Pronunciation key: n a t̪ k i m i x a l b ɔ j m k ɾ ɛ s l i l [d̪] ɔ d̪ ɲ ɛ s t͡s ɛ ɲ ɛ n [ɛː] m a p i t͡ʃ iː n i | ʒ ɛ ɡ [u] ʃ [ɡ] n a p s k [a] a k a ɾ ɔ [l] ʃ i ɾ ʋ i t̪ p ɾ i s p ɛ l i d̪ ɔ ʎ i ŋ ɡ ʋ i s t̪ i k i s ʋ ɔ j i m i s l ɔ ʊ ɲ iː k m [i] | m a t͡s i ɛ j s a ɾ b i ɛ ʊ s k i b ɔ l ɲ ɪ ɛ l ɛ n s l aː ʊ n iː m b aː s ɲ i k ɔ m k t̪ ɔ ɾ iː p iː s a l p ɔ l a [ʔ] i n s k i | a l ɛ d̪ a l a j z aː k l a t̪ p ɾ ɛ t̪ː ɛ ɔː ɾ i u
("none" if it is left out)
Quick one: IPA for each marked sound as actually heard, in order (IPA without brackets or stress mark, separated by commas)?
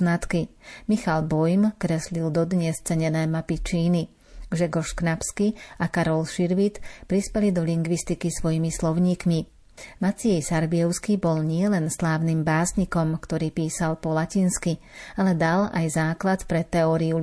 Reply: d̪, ɛː, ɔ, k, i, l, i, c